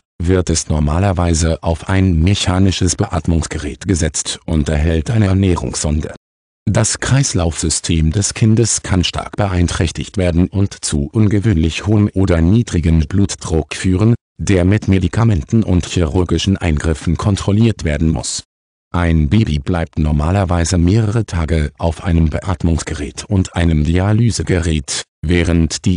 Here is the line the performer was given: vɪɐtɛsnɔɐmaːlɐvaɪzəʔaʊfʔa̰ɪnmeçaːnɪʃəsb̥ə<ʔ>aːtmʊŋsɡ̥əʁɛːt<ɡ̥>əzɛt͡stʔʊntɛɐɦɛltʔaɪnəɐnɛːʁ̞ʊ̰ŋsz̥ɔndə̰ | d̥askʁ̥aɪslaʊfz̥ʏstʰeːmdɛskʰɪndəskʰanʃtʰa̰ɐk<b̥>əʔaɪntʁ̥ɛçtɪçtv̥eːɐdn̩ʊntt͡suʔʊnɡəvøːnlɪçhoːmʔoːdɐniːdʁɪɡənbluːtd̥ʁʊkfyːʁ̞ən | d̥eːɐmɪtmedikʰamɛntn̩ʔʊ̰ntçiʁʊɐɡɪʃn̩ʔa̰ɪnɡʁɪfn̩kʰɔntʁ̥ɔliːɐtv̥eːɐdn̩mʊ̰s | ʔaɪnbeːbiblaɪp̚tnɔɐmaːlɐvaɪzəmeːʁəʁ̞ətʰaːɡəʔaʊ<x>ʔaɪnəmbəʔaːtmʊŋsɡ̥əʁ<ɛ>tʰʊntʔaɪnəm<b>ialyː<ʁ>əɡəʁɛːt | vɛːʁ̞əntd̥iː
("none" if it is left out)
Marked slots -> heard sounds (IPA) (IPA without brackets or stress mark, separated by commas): ʔ, ɡ̥, b̥, f, ɛː, d, z